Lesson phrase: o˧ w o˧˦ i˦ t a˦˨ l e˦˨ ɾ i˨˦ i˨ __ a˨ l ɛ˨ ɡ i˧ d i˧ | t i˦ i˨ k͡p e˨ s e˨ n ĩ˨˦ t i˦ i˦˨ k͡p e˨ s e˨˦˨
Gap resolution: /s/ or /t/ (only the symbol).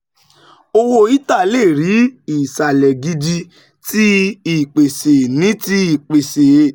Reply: s